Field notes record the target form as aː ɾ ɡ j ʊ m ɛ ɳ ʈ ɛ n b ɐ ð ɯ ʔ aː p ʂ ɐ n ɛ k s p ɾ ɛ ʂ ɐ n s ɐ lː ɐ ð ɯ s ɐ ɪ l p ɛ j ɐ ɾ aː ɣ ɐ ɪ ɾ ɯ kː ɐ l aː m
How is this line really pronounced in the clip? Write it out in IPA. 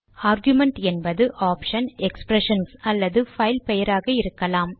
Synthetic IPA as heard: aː ɾ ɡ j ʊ m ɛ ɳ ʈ ɛ n b ɐ ð ɯ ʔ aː p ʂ ɐ n ɛ k s p ɾ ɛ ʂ ɐ n s ɐ lː ɐ ð ɯ f ɐ ɪ l p ɛ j ɐ ɾ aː ɣ ɐ ɪ ɾ ɯ kː ɐ l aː m